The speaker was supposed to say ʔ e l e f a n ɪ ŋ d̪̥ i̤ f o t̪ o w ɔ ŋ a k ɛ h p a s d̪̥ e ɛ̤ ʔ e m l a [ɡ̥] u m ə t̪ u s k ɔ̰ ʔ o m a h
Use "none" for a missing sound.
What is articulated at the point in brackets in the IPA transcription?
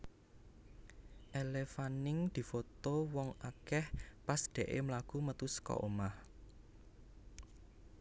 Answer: ɡ̥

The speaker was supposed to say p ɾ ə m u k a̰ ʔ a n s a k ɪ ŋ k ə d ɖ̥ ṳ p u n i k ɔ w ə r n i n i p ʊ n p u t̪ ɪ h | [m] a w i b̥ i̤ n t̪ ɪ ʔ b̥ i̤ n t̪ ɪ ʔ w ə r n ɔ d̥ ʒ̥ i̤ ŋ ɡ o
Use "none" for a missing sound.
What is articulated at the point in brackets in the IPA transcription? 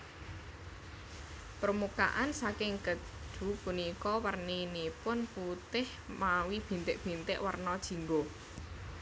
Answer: m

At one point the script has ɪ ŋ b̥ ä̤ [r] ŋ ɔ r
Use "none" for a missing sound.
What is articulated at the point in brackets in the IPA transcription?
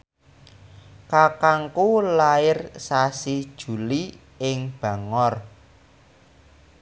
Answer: none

